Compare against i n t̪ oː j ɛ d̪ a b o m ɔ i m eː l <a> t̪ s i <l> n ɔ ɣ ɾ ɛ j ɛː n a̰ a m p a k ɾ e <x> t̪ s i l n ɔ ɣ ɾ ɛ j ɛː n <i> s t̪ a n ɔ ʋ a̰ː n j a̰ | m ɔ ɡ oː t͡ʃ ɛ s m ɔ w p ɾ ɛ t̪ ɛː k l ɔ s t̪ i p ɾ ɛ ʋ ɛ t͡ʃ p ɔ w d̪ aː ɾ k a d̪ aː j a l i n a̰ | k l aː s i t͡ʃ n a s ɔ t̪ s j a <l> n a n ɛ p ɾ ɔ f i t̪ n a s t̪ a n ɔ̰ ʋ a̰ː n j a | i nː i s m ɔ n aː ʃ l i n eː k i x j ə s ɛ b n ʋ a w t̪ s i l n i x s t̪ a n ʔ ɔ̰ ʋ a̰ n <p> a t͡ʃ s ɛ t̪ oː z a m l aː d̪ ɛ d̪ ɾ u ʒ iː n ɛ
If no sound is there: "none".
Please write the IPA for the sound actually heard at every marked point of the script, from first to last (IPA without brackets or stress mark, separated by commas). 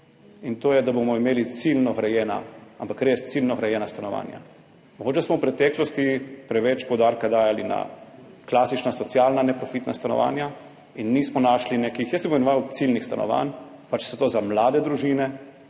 i, l, s, a, l, p